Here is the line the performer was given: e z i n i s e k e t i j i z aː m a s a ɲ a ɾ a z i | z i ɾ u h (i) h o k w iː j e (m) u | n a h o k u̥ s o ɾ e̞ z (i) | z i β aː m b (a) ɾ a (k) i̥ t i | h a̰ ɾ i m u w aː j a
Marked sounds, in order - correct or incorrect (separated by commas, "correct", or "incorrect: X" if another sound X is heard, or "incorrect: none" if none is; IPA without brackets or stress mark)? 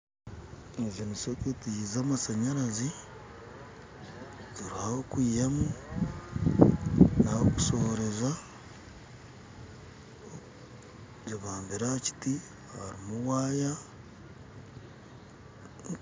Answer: incorrect: a, correct, incorrect: a, incorrect: i, incorrect: c